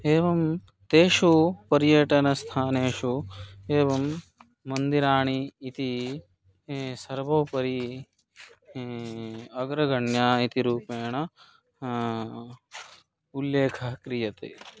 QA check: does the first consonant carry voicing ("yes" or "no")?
yes